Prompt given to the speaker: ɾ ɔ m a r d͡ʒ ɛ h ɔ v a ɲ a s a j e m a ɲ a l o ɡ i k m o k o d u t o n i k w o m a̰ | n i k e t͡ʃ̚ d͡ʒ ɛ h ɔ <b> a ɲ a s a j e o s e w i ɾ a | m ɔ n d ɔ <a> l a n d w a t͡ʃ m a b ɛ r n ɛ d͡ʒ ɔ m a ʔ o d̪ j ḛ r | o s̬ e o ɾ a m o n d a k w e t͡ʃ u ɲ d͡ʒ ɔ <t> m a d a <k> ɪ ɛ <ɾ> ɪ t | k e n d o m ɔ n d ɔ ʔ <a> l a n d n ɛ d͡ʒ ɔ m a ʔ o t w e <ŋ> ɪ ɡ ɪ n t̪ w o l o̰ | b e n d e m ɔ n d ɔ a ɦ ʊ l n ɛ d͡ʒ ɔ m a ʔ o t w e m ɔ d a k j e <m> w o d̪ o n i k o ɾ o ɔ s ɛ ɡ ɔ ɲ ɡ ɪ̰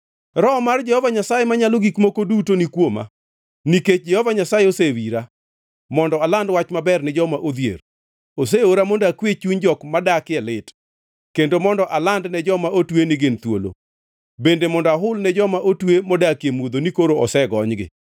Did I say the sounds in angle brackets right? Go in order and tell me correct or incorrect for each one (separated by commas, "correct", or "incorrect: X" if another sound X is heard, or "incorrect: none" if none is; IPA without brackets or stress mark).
incorrect: v, correct, incorrect: k, correct, incorrect: l, correct, incorrect: n, correct